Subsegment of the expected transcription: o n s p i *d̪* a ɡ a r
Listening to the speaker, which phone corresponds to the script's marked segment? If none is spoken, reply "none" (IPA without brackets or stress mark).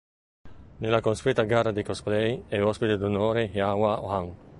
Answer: t̪